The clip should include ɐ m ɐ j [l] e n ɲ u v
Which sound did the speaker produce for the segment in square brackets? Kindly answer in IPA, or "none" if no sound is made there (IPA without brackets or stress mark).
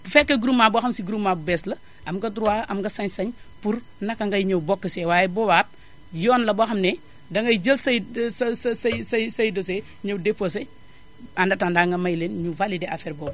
l